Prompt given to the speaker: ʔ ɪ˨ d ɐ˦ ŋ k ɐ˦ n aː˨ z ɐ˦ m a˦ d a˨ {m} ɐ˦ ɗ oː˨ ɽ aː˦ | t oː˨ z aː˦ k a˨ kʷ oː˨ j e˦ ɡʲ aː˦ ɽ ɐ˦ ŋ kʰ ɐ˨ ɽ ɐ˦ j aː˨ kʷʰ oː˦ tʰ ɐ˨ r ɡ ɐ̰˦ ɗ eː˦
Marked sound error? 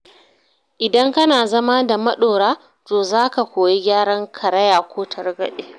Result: no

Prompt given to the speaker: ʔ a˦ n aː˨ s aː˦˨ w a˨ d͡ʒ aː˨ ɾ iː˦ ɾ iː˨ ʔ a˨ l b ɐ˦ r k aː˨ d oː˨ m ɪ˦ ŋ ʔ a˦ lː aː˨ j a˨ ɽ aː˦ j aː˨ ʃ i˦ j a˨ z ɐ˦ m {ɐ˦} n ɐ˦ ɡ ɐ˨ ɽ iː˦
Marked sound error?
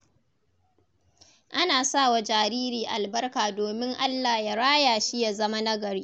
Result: yes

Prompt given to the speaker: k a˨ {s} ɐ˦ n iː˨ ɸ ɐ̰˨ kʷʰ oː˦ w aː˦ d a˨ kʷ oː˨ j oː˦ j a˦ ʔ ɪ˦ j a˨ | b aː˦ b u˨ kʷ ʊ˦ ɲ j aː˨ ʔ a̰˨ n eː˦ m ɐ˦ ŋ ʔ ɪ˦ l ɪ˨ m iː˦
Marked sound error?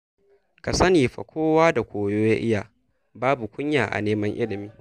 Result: no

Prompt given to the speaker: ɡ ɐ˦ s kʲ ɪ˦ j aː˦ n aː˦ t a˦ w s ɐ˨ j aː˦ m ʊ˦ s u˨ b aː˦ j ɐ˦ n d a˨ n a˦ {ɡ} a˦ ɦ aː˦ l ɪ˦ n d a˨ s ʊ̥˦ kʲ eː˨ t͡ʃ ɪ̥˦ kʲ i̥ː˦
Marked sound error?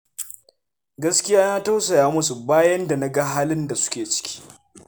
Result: no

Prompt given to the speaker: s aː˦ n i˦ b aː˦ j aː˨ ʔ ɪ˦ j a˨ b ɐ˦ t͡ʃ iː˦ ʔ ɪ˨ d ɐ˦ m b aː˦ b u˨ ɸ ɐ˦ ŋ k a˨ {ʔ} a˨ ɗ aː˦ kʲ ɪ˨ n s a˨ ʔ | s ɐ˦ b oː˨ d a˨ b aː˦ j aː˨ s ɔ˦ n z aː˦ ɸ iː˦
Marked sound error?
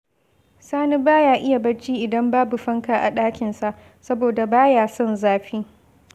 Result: no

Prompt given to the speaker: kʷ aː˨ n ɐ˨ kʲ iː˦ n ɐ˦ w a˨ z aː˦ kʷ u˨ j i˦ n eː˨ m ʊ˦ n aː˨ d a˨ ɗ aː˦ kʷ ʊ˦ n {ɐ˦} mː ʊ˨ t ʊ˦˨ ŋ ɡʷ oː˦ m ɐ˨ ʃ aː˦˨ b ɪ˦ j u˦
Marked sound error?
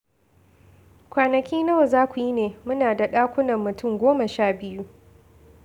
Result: yes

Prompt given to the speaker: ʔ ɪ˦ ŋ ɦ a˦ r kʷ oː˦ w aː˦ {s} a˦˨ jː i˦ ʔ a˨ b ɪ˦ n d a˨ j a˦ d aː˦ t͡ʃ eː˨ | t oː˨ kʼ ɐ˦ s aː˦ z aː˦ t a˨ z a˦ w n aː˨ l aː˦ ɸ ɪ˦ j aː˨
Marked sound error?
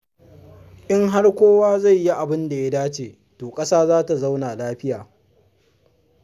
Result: yes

